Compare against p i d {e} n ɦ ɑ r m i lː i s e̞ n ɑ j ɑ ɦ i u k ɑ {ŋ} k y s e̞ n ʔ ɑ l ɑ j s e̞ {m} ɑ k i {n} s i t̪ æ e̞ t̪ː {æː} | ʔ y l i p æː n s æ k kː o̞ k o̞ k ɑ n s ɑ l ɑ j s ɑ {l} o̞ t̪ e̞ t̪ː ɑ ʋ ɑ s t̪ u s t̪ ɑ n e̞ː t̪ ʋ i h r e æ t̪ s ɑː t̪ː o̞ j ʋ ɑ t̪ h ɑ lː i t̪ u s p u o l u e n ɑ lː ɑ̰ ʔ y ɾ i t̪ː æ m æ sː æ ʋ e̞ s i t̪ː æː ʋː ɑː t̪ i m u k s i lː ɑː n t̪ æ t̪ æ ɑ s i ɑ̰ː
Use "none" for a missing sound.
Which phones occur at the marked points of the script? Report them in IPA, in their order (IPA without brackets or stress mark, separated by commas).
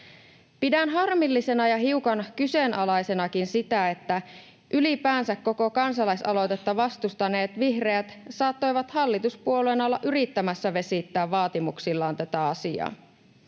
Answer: æ, n, n, n, æ, l